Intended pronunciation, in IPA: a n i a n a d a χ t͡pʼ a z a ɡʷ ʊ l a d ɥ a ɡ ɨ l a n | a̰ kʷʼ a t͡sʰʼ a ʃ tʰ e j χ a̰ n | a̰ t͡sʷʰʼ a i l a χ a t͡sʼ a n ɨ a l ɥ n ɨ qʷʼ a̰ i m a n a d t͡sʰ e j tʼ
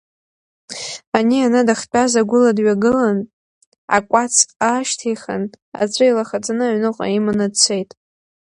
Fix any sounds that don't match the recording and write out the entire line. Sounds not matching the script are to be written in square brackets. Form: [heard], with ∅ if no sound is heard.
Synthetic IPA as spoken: a n i a n a d a χ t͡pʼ a z a ɡʷ ʊ l a d ɥ a ɡ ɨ l a n | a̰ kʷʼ a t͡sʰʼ a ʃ tʰ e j χ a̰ n | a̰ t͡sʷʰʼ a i l a χ a t͡sʼ a n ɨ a [∅] ɥ n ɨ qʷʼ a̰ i m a n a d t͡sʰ e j tʼ